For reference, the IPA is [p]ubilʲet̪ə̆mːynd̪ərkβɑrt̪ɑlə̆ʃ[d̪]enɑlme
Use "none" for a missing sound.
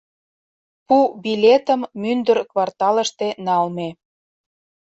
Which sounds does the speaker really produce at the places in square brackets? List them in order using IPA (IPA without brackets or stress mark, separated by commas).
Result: p, t̪